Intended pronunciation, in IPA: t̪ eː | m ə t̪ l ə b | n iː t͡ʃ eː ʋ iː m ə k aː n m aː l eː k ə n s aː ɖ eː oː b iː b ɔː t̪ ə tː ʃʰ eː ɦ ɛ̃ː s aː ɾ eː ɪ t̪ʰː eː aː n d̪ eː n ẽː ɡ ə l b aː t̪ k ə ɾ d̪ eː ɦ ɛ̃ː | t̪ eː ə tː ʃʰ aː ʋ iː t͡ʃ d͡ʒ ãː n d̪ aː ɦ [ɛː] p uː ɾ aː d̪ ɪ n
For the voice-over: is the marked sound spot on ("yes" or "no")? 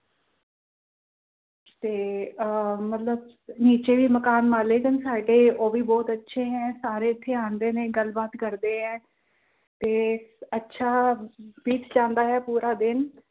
yes